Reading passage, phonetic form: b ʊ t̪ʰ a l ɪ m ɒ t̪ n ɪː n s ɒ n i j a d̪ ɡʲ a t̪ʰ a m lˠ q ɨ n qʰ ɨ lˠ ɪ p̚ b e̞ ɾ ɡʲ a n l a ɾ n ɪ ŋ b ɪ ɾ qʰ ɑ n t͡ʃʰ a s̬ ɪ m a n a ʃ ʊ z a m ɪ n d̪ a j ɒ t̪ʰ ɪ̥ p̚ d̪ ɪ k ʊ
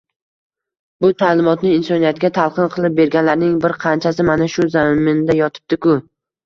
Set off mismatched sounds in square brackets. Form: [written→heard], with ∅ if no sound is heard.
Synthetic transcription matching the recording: b ʊ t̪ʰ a l ɪ m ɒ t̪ n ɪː n s ɒ n i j a [d̪→t̪] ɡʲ a t̪ʰ a [m→∅] lˠ q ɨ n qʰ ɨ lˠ ɪ p̚ b e̞ ɾ ɡʲ a n l a ɾ n ɪ ŋ b ɪ ɾ qʰ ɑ n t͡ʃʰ a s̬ ɪ m a n a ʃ ʊ z a m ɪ n d̪ a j ɒ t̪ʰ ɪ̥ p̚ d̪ ɪ k ʊ